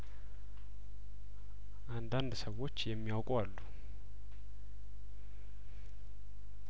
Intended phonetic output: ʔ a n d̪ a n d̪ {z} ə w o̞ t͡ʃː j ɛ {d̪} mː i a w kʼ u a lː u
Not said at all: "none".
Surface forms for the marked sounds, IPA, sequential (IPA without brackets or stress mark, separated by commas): s, none